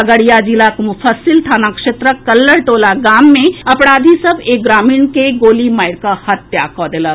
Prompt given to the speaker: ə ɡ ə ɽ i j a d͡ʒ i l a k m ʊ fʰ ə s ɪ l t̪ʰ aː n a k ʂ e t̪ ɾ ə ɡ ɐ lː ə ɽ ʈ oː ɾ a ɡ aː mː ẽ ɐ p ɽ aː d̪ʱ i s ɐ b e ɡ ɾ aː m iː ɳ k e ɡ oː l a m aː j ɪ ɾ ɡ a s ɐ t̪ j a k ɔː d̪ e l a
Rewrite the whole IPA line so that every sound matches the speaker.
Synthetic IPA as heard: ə ɡ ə ɽ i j a d͡ʒ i l a k m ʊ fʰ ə s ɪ l t̪ʰ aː n a k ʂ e t̪ ɾ ə k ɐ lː ə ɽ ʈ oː l a ɡ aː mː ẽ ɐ p ɽ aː d̪ʱ i s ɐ b e ɡ ɾ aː m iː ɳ k e ɡ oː l i m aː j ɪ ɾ k a h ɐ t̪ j a k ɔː d̪ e l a